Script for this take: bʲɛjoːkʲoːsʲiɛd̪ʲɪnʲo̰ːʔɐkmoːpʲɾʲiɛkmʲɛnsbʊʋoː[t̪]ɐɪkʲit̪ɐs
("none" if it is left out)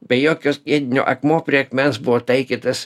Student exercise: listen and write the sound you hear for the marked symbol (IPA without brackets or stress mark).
t̪